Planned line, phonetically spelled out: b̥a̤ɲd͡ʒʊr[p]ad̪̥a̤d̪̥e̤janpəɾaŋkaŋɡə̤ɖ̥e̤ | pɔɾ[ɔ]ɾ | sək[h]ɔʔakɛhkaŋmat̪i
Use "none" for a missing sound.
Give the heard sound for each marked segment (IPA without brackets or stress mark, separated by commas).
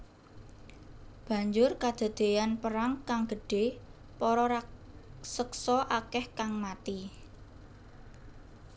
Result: k, ɔ, s